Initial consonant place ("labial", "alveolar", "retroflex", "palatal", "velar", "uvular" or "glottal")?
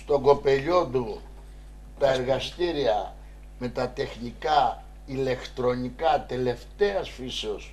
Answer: alveolar